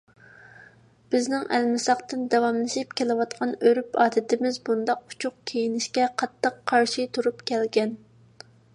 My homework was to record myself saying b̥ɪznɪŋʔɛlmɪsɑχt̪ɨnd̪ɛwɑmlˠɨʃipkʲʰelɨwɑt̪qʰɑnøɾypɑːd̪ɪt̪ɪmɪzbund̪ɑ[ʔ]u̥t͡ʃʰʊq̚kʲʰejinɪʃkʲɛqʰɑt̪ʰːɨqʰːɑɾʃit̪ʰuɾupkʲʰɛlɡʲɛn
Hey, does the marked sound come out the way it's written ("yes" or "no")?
no